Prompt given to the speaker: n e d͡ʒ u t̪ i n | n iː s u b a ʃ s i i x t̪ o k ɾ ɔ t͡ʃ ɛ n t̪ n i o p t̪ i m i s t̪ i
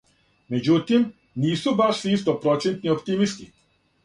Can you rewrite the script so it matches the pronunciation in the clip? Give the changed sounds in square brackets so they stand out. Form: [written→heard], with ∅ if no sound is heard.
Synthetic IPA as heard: [n→m] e d͡ʒ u t̪ i [n→m] | n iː s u b a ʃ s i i [x→s] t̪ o [k→p] ɾ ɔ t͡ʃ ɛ n t̪ n i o p t̪ i m i s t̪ i